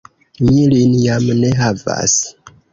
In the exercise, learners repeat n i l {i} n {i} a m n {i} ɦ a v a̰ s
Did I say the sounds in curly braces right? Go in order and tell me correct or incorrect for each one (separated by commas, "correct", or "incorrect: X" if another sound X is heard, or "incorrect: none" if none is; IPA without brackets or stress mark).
correct, incorrect: j, incorrect: e